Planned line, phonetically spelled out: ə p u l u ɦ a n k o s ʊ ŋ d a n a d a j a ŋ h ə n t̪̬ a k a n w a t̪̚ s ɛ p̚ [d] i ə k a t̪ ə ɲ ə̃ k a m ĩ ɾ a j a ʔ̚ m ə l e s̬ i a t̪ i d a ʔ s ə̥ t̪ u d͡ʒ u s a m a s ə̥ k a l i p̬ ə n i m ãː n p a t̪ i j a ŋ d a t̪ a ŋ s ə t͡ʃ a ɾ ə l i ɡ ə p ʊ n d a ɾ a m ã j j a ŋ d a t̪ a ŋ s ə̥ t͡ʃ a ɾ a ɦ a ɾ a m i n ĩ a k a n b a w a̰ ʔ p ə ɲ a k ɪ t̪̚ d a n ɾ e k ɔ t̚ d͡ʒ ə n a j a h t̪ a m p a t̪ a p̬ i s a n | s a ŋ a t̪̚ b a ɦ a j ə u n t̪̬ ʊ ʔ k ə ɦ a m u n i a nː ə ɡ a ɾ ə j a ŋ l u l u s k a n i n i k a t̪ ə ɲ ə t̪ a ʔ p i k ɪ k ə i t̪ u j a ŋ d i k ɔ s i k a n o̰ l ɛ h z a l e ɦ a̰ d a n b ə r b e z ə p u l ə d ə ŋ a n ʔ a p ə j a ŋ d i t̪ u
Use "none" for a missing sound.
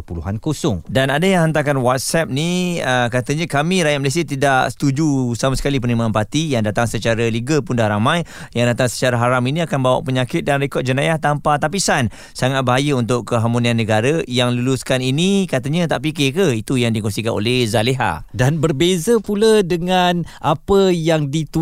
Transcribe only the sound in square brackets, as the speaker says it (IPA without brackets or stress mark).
n